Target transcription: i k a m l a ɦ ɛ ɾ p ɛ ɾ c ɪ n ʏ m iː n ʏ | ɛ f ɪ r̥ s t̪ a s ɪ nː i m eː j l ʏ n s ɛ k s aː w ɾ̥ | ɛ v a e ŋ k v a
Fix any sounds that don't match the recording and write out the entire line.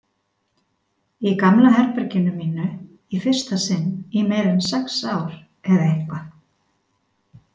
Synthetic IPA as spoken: i k a m l a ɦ ɛ ɾ p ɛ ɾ c ɪ n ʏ m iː n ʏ | i f ɪ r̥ s t̪ a s ɪ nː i m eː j ɾ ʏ n s ɛ k s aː w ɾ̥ | ɛ ð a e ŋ k v a